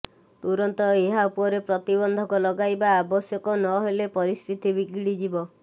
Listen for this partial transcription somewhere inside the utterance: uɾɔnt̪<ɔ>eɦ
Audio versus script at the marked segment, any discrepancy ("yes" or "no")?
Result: no